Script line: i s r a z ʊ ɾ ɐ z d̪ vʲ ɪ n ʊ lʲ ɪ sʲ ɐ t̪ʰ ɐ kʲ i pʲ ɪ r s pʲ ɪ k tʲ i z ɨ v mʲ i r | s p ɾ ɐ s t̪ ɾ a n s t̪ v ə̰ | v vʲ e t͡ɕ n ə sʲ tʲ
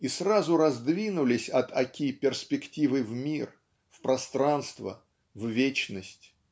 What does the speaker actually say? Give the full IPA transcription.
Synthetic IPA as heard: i s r a z ʊ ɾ ɐ z d̪ vʲ i n ʊ lʲ ɪ sʲ ɐ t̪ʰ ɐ kʲ i pʲ ɪ r s pʲ ɪ k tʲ i v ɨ v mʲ i r | f p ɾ ɐ s t̪ ɾ a n s t̪ v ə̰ | v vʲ e t͡ɕ n ə sʲ tʲ